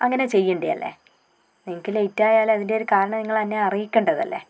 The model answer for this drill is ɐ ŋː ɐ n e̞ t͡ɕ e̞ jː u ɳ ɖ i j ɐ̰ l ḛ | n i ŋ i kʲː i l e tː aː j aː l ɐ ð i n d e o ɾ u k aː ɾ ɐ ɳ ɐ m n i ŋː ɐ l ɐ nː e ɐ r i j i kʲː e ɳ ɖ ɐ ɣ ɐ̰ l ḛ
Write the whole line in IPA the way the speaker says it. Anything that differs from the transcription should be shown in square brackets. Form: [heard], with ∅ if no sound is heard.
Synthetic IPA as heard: ɐ ŋː ɐ n e̞ t͡ɕ e̞ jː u ɳ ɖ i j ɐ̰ [lː] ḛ | n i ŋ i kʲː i l e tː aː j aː l ɐ ð i n d e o ɾ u k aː ɾ ɐ ɳ ɐ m n i ŋː ɐ [ɭ] ɐ nː e ɐ r i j i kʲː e ɳ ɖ ɐ [ð] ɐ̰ [lː] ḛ

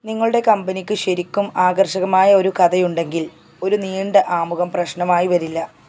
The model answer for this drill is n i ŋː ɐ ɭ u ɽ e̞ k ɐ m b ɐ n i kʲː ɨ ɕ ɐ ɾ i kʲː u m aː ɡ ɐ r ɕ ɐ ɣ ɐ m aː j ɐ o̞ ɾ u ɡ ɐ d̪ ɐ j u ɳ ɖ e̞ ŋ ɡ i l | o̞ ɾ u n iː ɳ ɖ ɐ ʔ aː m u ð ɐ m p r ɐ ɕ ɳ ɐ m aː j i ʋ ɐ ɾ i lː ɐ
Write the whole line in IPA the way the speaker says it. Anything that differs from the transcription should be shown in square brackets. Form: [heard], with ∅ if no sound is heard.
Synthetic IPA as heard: n i ŋː ɐ ɭ u ɽ e̞ k ɐ m b ɐ n i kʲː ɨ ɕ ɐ ɾ i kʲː u m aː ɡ ɐ r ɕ ɐ ɣ ɐ m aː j ɐ o̞ ɾ u [k] ɐ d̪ ɐ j u ɳ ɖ e̞ ŋ ɡ i l | o̞ ɾ u n iː ɳ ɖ ɐ ʔ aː m u [ɣ] ɐ m p r ɐ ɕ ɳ ɐ m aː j i ʋ ɐ ɾ i lː ɐ

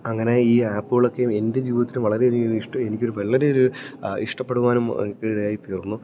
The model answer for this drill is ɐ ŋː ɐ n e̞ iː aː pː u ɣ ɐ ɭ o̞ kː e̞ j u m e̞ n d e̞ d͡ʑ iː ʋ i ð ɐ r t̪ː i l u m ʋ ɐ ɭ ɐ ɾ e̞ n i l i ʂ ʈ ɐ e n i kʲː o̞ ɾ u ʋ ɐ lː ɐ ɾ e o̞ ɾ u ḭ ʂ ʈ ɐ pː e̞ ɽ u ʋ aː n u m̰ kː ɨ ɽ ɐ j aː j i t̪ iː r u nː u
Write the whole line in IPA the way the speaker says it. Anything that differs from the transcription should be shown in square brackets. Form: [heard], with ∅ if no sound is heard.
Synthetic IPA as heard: ɐ ŋː ɐ n e̞ iː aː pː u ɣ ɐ ɭ o̞ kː e̞ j u m e̞ n d e̞ d͡ʑ iː ʋ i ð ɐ [∅] t̪ː i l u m ʋ ɐ ɭ ɐ ɾ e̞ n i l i ʂ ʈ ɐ e n i kʲː o̞ ɾ u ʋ ɐ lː ɐ ɾ e o̞ ɾ u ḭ ʂ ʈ ɐ pː e̞ ɽ u ʋ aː n u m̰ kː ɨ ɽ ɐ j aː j i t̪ iː r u nː u

